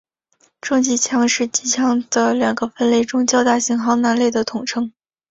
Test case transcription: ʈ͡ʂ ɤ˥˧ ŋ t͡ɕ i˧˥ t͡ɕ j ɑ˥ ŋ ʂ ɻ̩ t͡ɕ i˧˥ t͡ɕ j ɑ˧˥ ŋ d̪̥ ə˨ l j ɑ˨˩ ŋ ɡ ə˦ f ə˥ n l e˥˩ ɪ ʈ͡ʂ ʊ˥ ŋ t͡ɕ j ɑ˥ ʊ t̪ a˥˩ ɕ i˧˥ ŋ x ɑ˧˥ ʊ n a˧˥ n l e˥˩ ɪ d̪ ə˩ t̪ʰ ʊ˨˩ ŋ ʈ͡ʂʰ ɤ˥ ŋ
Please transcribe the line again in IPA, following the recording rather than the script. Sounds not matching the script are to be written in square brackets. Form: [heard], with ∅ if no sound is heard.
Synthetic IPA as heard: ʈ͡ʂ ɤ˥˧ ŋ t͡ɕ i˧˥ [t͡ɕʰ] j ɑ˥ ŋ ʂ ɻ̩ t͡ɕ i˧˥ [t͡ɕʰ] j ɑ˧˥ ŋ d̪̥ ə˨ l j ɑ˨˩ ŋ ɡ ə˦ f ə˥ n l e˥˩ ɪ ʈ͡ʂ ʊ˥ ŋ t͡ɕ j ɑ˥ ʊ t̪ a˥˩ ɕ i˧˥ ŋ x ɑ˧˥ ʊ n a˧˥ n l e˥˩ ɪ d̪ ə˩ t̪ʰ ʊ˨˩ ŋ ʈ͡ʂʰ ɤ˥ ŋ